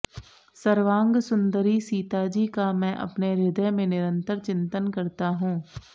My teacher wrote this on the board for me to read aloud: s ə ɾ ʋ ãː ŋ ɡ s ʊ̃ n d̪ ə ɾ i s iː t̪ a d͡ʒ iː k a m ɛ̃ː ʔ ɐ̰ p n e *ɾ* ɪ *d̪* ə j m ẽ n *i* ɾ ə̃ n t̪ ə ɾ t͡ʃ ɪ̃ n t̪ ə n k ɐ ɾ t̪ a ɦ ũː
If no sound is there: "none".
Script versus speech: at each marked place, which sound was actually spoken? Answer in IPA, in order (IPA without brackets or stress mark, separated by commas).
ɾ, d̪, ɪ